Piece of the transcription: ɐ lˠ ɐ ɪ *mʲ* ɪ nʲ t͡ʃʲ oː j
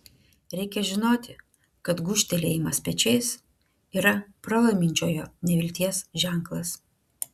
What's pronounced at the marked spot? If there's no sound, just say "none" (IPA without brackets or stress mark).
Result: mʲ